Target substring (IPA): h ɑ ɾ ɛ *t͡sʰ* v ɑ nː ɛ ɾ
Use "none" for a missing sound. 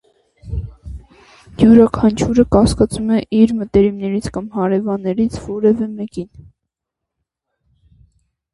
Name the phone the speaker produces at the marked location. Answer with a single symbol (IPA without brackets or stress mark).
none